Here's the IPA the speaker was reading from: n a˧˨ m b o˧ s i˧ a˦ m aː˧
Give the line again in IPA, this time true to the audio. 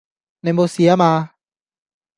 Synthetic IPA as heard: n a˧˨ m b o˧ s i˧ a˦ m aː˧